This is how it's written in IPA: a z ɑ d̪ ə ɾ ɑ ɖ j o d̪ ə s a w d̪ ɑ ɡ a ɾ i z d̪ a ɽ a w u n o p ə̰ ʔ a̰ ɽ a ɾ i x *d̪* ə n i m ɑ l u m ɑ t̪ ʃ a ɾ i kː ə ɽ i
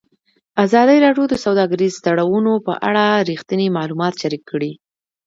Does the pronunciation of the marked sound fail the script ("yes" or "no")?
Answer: yes